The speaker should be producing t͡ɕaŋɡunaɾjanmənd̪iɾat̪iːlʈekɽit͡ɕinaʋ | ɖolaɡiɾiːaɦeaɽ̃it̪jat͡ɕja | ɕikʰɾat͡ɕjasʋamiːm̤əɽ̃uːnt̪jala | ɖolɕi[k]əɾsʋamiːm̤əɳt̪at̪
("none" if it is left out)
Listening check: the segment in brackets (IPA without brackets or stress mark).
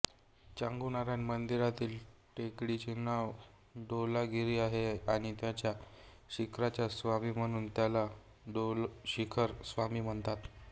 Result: kʰ